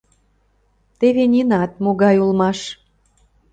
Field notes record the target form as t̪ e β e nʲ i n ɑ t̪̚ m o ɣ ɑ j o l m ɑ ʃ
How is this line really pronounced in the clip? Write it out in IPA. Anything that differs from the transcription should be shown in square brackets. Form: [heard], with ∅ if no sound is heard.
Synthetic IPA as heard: t̪ e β e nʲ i n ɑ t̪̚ m o ɣ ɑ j [u] l m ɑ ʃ